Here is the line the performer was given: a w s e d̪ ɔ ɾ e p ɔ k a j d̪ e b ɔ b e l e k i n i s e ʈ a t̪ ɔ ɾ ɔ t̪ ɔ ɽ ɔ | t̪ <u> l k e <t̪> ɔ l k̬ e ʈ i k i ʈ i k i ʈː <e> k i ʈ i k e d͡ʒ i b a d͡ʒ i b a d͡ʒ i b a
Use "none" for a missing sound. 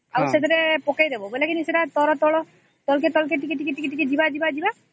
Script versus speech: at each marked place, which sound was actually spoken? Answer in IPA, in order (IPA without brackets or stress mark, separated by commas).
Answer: ɔ, t̪, i